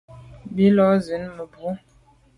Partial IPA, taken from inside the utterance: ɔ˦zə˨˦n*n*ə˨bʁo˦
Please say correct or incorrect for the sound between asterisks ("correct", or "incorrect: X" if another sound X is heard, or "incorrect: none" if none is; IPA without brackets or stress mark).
incorrect: m